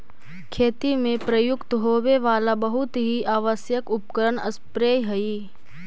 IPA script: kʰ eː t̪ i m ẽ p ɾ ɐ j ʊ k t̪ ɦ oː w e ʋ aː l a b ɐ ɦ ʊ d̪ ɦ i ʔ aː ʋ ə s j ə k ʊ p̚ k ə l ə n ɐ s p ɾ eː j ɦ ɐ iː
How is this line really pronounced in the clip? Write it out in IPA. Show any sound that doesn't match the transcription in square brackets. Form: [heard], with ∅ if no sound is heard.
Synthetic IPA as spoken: kʰ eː t̪ i m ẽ p ɾ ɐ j ʊ k t̪ ɦ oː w e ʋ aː l a b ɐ ɦ ʊ [t̪] ɦ i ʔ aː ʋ ə s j ə k ʊ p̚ k ə [ɾ] ə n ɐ s p ɾ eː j ɦ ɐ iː